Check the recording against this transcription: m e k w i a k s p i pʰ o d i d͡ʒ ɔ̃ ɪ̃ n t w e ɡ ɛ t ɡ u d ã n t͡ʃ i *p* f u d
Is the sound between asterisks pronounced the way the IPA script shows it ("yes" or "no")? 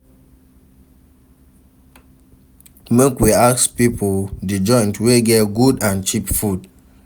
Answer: yes